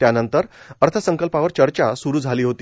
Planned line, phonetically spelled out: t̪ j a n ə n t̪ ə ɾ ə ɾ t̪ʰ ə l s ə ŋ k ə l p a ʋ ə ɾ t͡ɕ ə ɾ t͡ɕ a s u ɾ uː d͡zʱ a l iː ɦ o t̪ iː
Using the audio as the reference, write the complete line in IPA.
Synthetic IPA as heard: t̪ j a n ə n t̪ ə ɾ ə ɾ t̪ʰ ə s ə ŋ k ə l p a ʋ ə ɾ t͡ɕ ə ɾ t͡ɕ a s u ɾ uː d͡zʱ a l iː ɦ o t̪ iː